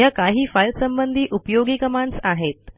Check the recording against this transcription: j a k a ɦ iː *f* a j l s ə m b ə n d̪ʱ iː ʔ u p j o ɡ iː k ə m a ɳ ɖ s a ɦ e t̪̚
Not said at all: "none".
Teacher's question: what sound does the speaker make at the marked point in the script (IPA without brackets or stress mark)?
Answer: f